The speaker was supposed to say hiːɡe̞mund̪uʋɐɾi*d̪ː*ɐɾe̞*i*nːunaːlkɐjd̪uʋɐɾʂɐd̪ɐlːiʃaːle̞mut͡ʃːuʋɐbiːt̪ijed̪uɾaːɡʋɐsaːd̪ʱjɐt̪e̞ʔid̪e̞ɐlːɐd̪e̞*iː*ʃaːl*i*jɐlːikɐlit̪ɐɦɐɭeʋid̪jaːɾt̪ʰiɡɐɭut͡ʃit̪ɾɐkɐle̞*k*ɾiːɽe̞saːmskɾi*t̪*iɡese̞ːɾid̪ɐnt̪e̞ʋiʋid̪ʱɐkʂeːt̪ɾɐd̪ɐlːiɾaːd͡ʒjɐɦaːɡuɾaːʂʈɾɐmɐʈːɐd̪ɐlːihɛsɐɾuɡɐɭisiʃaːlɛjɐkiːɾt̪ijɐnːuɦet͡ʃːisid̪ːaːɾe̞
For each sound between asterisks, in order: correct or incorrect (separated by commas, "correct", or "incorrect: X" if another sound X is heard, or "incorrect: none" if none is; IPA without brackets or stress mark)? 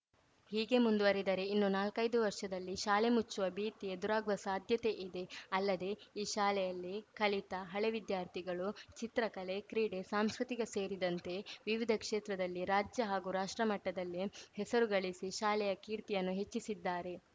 incorrect: d̪, correct, correct, incorrect: ɛ, correct, correct